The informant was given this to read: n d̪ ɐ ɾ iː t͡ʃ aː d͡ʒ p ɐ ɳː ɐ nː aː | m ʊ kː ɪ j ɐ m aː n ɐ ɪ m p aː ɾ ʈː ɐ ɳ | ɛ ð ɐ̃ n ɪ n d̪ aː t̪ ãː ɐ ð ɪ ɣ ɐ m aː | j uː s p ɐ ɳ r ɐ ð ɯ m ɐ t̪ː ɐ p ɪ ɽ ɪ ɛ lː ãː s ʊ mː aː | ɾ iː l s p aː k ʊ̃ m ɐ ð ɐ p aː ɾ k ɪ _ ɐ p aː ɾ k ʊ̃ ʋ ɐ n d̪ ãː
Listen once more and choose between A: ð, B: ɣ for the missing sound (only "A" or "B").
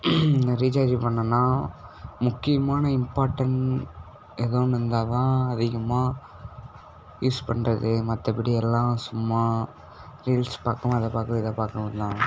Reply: A